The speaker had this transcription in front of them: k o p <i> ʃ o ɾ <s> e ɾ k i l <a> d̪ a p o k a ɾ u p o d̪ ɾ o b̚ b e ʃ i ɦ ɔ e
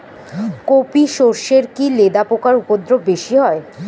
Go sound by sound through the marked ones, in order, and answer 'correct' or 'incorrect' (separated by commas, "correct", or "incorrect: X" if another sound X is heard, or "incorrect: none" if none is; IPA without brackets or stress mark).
correct, incorrect: ʃ, incorrect: e